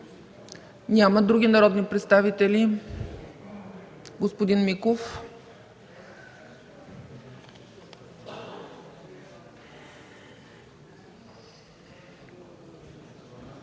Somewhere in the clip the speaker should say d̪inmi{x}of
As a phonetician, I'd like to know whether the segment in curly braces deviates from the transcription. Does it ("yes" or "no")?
yes